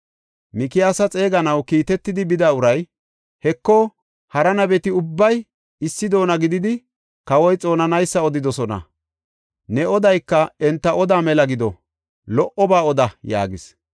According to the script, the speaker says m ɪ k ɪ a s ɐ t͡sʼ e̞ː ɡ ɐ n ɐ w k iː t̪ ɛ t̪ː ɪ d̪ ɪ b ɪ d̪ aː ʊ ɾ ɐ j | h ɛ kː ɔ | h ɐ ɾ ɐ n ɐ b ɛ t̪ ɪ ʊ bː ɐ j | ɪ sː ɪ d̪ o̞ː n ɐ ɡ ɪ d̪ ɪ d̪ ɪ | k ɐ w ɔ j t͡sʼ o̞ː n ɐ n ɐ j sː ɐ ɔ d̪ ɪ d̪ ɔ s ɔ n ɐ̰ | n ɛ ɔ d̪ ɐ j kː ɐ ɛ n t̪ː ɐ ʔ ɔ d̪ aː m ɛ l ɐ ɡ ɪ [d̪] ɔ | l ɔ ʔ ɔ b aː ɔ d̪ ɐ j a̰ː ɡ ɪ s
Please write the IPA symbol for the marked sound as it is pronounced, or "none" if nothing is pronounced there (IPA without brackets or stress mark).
d̪